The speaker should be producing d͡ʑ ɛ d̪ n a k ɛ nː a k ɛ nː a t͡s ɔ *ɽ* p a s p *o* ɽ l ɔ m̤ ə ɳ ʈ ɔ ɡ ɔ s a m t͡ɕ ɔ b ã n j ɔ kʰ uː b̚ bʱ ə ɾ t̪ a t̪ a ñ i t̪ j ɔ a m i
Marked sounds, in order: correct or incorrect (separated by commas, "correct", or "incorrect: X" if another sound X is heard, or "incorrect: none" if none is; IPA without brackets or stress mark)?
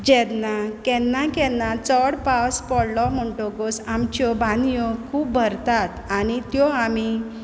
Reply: correct, incorrect: ɔ